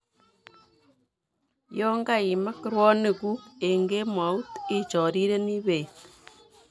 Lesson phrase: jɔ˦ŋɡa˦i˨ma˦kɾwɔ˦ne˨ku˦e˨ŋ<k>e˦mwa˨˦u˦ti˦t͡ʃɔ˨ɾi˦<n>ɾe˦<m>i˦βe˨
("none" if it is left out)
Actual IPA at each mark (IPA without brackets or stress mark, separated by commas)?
ɡ, none, n